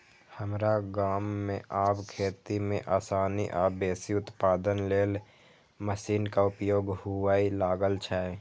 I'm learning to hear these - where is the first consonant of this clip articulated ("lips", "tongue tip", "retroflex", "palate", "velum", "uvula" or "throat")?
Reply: throat